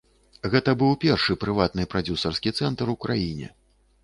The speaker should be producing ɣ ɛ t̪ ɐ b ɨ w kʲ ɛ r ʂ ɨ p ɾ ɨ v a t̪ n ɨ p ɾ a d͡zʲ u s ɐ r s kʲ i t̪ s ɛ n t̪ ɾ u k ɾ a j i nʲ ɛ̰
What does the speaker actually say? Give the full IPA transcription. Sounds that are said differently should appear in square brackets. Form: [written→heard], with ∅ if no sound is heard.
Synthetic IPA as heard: ɣ ɛ t̪ ɐ b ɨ w [kʲ→pʲ] ɛ r ʂ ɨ p ɾ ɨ v a t̪ n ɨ p ɾ a d͡zʲ u s ɐ r s kʲ i t̪ s ɛ n t̪ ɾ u k ɾ a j i nʲ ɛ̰